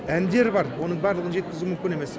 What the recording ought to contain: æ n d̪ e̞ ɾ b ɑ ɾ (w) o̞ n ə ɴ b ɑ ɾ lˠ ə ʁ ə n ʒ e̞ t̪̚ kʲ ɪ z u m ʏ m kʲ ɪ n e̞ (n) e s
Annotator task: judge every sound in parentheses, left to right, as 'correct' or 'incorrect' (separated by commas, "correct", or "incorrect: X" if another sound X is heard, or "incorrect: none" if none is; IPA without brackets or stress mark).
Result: correct, incorrect: m